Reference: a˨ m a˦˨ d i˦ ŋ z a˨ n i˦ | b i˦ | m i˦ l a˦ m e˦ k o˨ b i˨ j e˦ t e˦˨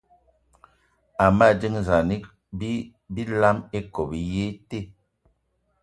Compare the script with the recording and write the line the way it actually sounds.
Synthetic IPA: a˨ m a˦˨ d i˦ ŋ z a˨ n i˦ | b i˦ | b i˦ l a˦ m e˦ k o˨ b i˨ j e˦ t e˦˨

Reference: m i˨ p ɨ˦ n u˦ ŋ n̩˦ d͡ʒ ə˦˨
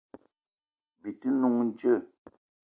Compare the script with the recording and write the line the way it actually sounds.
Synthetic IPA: b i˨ t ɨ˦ n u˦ ŋ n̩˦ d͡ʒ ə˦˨

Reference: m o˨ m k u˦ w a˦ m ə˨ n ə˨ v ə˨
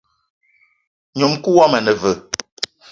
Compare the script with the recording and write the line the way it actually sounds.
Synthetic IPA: ɲ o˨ m k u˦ w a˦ m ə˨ n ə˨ v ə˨

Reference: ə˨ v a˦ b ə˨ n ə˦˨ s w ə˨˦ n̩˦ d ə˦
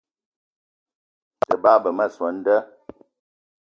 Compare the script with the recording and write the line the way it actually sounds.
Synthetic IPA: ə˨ b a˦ b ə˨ m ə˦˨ s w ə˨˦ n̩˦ d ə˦

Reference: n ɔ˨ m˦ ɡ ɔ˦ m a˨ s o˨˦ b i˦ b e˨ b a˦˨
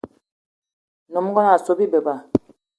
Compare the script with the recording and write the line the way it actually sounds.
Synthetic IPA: n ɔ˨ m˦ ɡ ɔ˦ n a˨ s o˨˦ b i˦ b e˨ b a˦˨

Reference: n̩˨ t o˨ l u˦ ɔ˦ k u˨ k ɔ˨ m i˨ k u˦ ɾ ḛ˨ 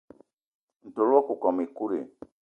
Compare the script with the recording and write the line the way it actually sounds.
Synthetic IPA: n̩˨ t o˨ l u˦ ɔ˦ k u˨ k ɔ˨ m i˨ k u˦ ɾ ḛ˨

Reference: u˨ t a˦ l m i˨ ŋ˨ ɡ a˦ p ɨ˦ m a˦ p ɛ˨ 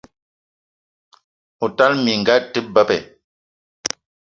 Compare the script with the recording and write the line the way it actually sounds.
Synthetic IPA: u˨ t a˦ l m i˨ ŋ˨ ɡ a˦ t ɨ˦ b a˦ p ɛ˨

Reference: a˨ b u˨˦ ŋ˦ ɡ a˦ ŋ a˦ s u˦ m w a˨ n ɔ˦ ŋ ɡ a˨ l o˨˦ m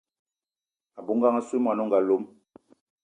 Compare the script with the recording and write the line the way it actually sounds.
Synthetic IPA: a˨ b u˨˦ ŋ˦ ɡ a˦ ŋ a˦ s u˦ m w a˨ n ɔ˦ ŋ ɡ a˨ l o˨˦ m

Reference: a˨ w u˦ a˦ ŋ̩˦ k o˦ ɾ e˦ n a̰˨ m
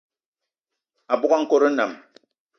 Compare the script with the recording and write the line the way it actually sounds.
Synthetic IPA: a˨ b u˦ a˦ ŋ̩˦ k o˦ ɾ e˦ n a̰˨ m

